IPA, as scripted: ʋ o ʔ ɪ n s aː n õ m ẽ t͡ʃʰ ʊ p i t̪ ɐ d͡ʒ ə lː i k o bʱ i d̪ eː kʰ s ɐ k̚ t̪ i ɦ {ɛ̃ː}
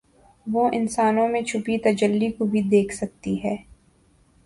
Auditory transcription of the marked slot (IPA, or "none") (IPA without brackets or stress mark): ɛː